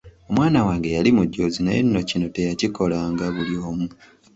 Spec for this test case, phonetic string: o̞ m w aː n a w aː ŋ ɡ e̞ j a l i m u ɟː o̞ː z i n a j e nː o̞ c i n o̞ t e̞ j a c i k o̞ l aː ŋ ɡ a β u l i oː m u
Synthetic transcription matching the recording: o̞ m w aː n a w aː ŋ ɡ e̞ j a l i m u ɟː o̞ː z i n a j e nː o̞ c i n o̞ t e̞ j a c i k o̞ l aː ŋ ɡ a β u l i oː m u

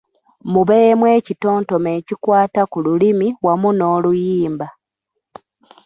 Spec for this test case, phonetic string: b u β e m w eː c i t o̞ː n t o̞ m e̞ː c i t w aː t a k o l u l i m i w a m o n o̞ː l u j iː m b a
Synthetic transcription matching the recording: m u β e m w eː c i t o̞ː n t o̞ m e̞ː c i k w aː t a k u l u l i m i w a m u n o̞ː l u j iː m b a

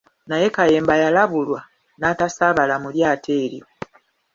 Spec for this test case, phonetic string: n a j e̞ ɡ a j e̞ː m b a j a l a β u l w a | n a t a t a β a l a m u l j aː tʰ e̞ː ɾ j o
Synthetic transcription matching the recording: n a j e̞ k a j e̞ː m b a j a l a β u l w a | n a t a s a β a l a m u l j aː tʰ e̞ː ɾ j o

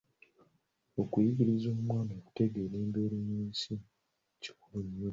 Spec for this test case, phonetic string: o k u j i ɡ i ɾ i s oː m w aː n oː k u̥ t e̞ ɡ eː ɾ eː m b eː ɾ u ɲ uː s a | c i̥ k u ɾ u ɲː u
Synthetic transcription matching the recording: o k u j i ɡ i ɾ i z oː m w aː n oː k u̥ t e̞ ɡ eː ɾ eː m b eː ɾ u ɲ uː s i | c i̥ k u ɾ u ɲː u

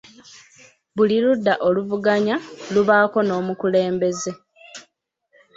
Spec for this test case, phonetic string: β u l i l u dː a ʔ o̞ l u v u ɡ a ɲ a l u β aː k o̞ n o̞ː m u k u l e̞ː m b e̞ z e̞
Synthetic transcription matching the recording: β u l i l u dː a ʔ o̞ l u v u ɡ a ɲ a l u β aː k o̞ n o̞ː m u k u l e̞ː m b e̞ z e̞

